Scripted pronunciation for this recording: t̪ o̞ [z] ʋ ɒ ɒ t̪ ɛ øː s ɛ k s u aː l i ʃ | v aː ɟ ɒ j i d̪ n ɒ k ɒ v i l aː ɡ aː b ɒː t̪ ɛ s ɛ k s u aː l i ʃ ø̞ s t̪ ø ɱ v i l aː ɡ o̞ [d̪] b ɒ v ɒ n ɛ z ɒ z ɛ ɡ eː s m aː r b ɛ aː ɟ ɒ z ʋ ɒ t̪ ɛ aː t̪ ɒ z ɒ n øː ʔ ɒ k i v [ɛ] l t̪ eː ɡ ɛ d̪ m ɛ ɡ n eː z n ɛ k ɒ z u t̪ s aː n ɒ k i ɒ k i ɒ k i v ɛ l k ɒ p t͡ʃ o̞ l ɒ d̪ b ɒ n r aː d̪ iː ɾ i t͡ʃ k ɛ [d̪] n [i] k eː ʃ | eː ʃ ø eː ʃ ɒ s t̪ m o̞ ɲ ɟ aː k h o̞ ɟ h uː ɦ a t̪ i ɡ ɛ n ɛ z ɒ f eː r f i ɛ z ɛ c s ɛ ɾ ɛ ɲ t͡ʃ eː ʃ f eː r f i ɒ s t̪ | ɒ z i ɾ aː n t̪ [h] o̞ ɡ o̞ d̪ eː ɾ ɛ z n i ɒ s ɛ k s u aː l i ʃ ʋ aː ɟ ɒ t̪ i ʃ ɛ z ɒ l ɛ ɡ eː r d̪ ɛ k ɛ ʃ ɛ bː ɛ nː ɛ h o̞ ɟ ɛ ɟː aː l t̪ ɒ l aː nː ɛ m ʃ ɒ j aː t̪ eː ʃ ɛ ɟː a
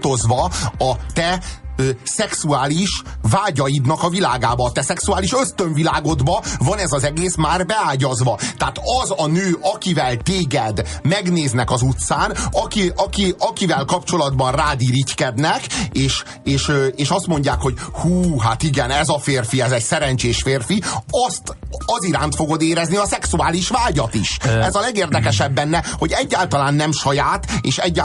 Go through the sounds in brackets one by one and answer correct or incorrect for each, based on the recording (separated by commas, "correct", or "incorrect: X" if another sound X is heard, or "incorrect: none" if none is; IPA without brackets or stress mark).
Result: correct, correct, correct, correct, incorrect: ɛ, incorrect: f